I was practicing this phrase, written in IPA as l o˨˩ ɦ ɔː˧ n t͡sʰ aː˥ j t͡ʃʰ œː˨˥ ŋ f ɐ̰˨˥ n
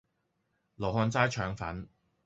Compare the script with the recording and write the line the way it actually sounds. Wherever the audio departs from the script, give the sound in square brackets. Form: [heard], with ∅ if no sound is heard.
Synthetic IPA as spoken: l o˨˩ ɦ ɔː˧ n [t͡s] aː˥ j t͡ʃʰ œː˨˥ ŋ f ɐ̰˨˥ n